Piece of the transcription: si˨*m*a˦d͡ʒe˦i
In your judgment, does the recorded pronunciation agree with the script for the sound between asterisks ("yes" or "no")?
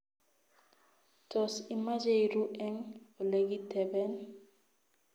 yes